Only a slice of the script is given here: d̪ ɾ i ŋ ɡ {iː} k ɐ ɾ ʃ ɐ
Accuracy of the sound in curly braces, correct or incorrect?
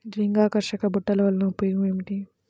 incorrect